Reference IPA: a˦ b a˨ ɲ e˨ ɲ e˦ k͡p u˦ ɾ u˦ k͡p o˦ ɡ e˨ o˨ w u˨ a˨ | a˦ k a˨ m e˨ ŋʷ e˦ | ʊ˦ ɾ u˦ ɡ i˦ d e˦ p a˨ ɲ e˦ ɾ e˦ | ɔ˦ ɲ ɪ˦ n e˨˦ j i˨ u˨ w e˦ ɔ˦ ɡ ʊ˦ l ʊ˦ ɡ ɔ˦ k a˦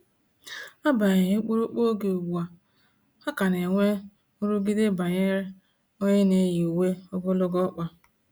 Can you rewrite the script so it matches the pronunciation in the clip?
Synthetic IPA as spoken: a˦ b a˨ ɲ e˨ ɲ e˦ k͡p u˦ ɾ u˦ k͡p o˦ ɡ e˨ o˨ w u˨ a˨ | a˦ k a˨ n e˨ ŋʷ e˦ | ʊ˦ ɾ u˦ ɡ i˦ d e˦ b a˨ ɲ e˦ ɾ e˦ | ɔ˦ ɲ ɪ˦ n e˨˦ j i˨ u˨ w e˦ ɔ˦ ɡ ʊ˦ l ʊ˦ ɡ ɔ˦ k͡p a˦